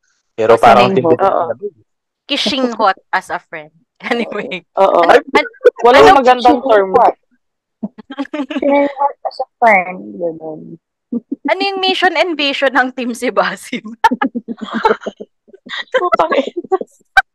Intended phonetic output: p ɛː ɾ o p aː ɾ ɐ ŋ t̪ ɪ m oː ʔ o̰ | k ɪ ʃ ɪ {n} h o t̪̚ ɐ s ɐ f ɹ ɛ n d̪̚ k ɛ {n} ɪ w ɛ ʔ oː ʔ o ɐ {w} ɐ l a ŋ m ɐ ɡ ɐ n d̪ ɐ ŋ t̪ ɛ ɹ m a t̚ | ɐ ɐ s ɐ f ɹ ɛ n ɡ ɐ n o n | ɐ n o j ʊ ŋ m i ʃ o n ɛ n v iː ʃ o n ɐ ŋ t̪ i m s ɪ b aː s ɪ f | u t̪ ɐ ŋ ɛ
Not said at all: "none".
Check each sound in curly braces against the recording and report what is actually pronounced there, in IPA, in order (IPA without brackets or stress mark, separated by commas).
ŋ, n, w